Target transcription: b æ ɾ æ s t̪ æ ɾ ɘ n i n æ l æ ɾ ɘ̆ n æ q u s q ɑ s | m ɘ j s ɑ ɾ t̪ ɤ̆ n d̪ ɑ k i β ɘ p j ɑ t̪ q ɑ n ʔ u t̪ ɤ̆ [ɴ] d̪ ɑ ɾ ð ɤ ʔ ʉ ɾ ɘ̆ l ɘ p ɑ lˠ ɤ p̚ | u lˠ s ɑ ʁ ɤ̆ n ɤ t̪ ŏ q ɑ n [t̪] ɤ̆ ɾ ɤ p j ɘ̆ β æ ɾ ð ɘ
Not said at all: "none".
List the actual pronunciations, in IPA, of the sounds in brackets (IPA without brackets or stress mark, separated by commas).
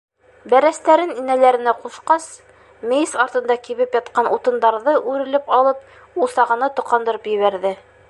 n, d̪